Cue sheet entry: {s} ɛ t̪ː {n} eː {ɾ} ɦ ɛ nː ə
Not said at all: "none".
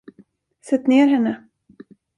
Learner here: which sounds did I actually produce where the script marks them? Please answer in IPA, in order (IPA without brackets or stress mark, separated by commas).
s, n, ɾ